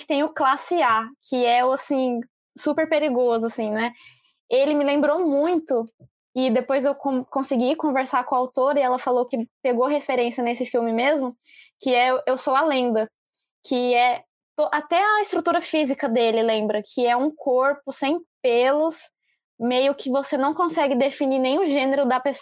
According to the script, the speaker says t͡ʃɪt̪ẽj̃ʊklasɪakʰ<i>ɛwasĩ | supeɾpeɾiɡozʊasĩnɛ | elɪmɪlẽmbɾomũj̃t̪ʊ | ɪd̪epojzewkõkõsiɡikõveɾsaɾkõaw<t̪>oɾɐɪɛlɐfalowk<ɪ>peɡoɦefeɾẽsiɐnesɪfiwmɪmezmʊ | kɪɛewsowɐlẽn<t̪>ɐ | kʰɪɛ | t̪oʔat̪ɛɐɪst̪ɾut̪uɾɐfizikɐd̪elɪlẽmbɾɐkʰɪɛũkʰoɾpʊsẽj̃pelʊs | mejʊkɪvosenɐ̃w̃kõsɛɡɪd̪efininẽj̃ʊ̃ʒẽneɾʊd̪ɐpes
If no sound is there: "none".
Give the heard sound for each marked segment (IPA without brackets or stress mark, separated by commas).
ɪ, t̪, ɪ, d̪